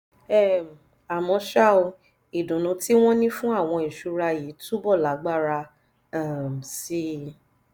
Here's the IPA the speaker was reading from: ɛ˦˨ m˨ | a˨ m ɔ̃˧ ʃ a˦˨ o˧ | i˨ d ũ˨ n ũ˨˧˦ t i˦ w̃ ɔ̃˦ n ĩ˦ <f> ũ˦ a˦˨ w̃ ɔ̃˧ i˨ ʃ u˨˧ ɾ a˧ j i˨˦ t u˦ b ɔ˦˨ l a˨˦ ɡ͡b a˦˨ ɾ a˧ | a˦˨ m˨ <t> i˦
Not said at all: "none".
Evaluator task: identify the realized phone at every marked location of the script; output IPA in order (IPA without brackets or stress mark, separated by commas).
f, s